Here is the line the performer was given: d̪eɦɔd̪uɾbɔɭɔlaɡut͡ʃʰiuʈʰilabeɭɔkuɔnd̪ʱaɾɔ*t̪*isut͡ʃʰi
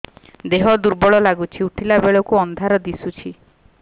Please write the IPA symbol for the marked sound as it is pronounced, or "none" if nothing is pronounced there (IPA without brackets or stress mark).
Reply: d̪